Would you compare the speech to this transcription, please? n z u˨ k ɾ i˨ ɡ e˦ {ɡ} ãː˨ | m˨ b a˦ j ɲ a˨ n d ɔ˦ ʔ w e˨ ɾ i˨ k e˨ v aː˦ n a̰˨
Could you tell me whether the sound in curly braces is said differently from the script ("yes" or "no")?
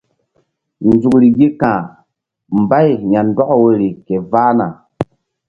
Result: yes